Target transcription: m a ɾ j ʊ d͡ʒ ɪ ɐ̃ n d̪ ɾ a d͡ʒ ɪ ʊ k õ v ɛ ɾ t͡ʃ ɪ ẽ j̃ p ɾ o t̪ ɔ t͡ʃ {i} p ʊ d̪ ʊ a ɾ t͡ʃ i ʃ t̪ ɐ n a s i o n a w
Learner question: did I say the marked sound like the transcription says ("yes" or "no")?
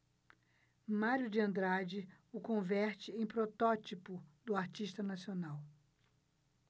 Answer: yes